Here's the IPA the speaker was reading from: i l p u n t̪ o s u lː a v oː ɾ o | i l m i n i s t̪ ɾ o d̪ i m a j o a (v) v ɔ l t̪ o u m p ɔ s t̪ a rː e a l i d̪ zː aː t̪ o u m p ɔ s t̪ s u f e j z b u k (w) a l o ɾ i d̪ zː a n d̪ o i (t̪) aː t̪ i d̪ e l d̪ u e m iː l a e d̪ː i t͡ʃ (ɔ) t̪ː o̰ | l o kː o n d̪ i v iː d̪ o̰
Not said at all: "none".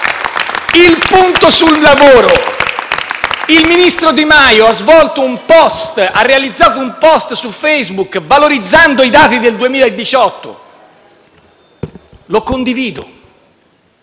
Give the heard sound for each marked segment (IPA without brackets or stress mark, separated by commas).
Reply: z, v, d̪, ɔ